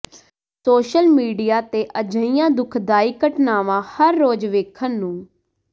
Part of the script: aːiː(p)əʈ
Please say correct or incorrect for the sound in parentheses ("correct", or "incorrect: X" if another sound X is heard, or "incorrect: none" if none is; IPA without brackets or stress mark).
incorrect: k